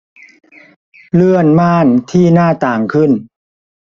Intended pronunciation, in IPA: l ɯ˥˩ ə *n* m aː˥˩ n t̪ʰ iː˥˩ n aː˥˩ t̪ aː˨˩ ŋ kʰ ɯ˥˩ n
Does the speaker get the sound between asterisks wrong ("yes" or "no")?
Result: no